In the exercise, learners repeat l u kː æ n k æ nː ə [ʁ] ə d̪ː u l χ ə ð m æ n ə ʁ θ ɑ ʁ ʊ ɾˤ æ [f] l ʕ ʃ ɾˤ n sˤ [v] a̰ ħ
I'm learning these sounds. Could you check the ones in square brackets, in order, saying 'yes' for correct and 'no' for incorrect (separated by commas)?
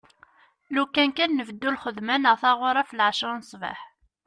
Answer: no, yes, yes